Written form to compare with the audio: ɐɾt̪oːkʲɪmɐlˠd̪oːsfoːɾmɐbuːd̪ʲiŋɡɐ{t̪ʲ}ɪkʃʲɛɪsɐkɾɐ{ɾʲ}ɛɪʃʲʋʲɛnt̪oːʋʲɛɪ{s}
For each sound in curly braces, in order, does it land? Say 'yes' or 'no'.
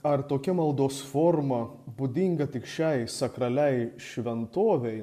yes, no, no

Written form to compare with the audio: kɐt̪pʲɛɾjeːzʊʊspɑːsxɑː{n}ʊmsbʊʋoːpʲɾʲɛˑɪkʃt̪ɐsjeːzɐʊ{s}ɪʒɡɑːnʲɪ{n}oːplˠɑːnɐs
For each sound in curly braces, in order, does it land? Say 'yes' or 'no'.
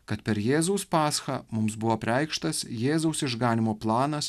no, yes, no

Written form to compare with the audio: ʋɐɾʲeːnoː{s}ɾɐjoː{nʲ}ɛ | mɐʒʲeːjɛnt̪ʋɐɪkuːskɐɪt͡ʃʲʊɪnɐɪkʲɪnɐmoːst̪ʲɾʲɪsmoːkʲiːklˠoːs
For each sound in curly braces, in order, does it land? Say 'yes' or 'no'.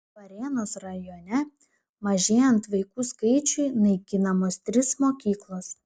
yes, yes

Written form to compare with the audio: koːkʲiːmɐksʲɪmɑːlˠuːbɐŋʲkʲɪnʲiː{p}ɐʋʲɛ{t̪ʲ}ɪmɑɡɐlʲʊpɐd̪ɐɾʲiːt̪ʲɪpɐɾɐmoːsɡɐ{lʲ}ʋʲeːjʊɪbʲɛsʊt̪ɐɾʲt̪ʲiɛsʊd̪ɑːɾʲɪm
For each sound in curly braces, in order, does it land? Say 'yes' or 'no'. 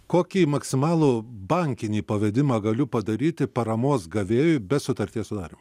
yes, no, no

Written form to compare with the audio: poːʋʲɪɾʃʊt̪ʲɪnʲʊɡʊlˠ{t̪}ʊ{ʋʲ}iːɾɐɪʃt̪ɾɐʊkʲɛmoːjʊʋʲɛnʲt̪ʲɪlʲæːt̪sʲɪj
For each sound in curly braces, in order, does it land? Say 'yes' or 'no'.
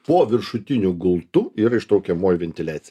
yes, no

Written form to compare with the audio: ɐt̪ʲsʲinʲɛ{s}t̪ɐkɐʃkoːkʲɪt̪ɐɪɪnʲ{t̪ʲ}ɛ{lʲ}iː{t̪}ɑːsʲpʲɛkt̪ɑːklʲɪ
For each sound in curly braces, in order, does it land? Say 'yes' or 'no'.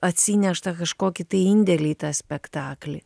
no, no, yes, yes

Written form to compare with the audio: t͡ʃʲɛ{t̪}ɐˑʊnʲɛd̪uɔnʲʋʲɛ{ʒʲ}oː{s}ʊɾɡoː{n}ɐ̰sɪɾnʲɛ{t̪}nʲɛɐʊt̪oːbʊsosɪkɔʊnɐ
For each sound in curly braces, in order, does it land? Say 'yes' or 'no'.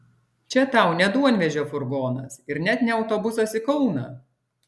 yes, yes, no, yes, yes

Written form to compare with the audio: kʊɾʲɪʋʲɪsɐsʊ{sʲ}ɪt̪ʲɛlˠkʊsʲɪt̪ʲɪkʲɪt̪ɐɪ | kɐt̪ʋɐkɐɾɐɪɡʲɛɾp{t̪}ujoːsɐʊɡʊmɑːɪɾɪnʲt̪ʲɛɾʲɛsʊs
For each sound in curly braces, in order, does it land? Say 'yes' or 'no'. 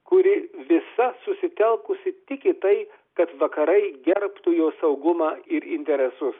yes, yes

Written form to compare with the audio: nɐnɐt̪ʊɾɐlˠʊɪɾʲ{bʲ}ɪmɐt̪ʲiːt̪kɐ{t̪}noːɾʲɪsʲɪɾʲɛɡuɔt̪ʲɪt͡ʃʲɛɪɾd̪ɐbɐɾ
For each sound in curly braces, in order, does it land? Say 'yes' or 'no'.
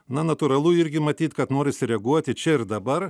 no, yes

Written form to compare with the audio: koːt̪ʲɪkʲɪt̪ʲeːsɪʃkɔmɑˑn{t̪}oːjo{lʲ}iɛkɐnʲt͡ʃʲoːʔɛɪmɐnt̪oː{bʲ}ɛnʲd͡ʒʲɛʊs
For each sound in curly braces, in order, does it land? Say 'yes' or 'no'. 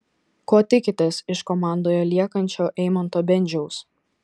no, yes, yes

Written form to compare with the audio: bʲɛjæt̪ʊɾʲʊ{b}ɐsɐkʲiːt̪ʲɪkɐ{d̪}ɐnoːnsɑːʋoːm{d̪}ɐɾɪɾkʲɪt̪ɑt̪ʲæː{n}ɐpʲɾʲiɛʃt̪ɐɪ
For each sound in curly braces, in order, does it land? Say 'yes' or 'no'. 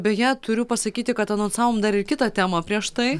no, no, yes, no

